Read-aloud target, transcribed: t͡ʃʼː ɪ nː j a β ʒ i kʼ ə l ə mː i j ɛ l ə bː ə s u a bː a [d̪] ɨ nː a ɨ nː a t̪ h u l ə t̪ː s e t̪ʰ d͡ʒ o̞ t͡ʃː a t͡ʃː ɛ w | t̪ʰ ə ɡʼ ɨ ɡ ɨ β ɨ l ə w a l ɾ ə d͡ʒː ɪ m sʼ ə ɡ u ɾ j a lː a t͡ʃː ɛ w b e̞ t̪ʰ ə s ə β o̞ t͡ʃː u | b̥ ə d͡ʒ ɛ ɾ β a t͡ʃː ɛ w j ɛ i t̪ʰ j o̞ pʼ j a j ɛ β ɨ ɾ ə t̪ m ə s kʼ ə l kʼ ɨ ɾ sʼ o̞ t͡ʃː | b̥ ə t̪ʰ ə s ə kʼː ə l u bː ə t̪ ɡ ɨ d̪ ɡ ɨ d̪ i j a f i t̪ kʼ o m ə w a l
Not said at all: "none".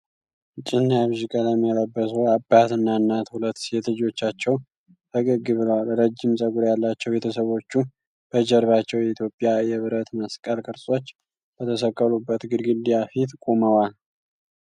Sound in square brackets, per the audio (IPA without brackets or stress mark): t̪